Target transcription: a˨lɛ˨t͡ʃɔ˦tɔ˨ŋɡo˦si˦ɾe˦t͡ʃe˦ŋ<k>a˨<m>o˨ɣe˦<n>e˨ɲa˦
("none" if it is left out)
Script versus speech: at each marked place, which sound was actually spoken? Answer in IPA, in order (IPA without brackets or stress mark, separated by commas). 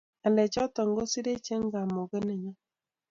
ɡ, m, n